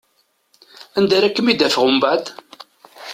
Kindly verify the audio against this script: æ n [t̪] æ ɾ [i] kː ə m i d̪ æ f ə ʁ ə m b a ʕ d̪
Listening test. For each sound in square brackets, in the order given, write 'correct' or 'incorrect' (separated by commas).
incorrect, incorrect